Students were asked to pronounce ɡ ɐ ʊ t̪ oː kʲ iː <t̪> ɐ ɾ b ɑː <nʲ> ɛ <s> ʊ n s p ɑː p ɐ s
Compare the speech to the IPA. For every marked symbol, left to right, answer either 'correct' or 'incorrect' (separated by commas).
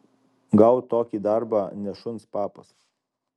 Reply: incorrect, correct, incorrect